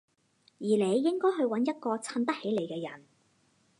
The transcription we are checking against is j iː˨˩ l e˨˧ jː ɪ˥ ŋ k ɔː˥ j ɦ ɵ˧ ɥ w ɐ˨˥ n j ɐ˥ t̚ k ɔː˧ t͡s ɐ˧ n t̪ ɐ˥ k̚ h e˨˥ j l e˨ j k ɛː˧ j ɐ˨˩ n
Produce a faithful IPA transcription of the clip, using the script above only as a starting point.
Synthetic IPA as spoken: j iː˨˩ l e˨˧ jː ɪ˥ ŋ k ɔː˥ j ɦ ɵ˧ ɥ w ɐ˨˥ n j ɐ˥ t̚ k ɔː˧ t͡sʰ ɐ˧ n t̪ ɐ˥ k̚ h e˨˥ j l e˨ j k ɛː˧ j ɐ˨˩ n